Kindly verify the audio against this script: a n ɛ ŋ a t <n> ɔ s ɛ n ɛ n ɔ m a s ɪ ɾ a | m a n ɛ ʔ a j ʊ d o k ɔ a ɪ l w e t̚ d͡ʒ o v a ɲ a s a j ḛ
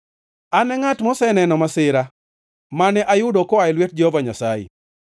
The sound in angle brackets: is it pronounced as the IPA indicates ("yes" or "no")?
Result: no